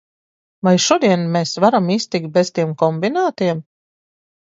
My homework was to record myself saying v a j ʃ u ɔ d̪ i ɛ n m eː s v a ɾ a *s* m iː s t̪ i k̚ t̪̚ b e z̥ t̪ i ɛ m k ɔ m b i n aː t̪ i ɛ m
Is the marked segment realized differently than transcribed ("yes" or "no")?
yes